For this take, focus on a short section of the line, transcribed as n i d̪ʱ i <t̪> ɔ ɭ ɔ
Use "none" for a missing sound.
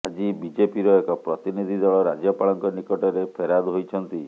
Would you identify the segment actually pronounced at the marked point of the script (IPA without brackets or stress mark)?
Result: d̪